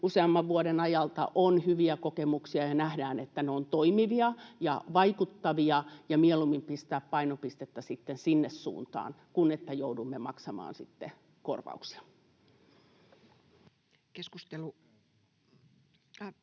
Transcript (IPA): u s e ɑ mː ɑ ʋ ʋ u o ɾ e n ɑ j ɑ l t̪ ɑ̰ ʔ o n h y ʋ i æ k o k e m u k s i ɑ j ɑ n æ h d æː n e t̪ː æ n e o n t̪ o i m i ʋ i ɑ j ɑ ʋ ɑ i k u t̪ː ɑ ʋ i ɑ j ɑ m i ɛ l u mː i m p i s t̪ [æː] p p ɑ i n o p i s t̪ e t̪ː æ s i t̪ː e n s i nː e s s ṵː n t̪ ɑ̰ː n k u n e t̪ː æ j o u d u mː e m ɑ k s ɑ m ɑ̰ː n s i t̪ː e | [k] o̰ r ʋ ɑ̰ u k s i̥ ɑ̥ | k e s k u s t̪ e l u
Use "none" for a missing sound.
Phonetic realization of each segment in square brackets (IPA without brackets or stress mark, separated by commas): æː, k